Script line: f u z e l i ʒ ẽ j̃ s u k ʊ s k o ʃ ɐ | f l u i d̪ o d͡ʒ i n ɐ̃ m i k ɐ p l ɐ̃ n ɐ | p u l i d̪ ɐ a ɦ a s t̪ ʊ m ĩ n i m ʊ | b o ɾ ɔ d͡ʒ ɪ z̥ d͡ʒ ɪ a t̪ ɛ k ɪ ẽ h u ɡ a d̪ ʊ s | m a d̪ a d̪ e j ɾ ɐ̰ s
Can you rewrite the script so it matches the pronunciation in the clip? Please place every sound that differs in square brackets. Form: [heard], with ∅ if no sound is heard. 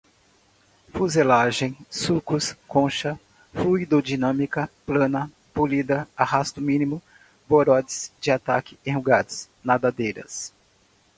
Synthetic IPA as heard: f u z e l [a] ʒ ẽ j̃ s u k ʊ s k [õ] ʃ ɐ | f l u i d̪ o d͡ʒ i n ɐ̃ m i k ɐ p l ɐ̃ n ɐ | p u l i d̪ ɐ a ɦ a s t̪ ʊ m ĩ n i m ʊ | b o ɾ ɔ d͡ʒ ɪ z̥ d͡ʒ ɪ a t̪ [a] k ɪ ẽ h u ɡ a d̪ ʊ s | [n] a d̪ a d̪ e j ɾ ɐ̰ s